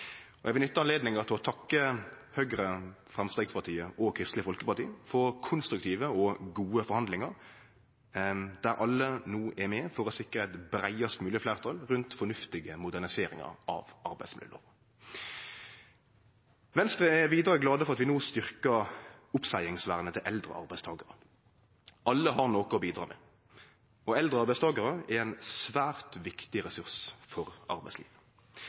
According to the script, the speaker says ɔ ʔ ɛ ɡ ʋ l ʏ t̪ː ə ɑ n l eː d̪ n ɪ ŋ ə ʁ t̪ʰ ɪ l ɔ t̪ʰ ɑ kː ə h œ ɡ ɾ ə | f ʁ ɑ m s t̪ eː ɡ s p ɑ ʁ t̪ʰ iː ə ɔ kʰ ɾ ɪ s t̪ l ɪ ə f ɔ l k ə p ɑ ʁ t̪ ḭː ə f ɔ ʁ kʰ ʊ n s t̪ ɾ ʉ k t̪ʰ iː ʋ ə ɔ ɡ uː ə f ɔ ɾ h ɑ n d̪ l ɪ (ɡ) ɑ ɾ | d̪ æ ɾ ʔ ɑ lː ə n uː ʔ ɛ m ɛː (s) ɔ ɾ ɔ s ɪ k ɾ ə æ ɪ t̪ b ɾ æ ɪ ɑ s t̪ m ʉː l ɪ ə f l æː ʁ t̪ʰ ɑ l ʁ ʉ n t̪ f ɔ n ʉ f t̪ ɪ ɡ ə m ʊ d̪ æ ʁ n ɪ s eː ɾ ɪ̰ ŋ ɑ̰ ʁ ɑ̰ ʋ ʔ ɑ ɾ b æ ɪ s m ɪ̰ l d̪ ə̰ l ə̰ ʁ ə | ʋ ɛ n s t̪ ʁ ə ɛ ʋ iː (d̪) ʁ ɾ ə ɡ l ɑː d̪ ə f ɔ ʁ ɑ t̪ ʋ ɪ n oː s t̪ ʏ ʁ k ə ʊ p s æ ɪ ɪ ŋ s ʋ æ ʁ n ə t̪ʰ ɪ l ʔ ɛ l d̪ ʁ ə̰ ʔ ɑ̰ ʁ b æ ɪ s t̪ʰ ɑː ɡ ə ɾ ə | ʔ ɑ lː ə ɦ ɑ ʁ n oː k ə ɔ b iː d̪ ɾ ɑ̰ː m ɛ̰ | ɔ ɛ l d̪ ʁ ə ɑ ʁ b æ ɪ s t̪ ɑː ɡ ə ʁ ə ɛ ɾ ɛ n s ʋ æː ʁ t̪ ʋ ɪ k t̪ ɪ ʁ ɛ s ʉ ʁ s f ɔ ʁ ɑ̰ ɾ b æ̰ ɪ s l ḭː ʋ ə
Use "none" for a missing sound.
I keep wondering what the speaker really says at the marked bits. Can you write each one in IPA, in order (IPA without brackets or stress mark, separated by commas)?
ŋ, f, d̪